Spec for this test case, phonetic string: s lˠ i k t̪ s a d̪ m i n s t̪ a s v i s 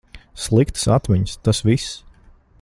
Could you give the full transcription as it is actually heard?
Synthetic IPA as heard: s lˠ i k t̪ s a t̪ m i ɲ s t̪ a s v i s